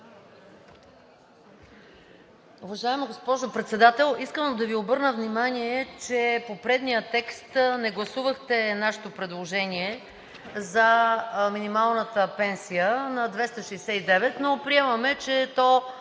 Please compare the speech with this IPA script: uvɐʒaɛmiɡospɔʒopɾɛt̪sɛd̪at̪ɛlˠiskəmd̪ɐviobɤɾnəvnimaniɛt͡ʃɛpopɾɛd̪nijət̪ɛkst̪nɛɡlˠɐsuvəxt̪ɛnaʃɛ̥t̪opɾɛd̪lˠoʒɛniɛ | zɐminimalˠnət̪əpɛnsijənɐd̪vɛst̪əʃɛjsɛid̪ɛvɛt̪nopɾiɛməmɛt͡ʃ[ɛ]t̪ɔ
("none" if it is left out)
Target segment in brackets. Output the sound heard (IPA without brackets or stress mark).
ɛ